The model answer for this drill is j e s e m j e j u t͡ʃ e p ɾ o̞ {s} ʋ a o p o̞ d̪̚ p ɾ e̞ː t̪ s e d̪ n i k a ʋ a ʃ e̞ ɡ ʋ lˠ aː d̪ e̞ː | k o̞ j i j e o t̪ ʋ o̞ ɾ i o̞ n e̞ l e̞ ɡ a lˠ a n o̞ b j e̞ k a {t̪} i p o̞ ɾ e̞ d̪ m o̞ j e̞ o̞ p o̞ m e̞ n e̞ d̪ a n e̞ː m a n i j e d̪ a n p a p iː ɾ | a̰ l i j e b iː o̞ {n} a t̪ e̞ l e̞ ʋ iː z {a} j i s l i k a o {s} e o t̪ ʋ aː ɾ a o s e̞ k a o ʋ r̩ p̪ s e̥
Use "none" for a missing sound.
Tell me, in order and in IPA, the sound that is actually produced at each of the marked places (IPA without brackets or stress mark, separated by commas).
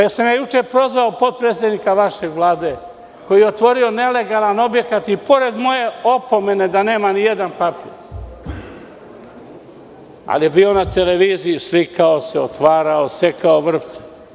z, t̪, n, i, s